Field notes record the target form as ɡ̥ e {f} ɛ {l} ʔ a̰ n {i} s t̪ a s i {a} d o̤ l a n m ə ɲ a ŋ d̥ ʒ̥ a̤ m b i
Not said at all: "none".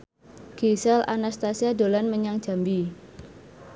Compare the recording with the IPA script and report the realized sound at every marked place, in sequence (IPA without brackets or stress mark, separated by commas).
s, l, a, a